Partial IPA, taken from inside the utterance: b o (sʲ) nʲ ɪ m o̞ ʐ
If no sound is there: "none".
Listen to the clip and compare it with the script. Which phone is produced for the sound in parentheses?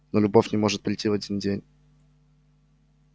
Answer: fʲ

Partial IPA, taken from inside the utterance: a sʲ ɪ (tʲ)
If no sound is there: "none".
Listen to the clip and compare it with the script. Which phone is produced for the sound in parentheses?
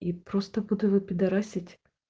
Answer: tʲ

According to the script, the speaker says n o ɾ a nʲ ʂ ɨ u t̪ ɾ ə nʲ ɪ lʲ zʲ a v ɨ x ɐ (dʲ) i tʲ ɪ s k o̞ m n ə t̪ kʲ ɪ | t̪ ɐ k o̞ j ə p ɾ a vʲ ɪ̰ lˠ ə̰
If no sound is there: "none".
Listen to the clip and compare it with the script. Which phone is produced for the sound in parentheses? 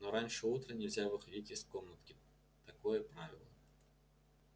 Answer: dʲ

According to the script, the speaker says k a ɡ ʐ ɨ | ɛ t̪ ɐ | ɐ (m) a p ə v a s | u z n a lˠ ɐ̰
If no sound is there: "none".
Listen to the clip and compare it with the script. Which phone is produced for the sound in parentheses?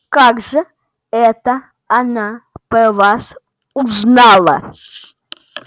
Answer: n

